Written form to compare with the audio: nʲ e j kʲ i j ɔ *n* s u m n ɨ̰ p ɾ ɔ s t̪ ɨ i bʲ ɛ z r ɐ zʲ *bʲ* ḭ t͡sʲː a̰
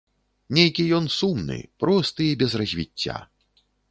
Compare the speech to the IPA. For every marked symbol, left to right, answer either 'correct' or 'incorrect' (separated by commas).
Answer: correct, incorrect